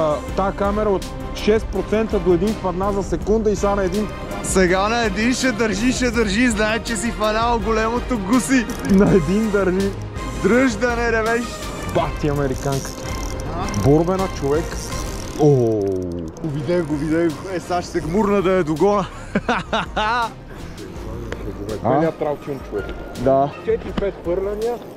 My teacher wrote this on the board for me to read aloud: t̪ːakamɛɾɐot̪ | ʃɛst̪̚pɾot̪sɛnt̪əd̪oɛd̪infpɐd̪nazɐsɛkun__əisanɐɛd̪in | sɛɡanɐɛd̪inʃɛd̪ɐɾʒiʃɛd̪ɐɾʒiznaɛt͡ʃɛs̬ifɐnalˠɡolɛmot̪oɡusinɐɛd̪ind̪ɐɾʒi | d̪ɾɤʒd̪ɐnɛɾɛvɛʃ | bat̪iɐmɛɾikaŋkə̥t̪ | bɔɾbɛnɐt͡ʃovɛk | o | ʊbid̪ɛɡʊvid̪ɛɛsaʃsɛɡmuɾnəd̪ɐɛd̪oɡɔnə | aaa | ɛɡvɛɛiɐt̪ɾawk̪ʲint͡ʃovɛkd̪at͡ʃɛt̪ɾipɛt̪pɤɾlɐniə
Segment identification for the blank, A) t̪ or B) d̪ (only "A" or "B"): B